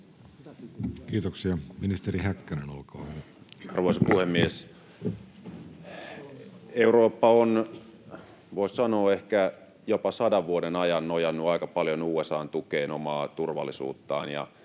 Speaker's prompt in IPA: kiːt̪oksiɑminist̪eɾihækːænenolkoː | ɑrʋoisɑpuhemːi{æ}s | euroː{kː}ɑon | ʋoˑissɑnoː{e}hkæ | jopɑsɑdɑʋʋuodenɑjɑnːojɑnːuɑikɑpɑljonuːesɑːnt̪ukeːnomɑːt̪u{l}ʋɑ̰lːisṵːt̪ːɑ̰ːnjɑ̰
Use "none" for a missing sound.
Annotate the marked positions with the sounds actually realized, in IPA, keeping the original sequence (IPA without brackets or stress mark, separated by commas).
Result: e, pː, e, r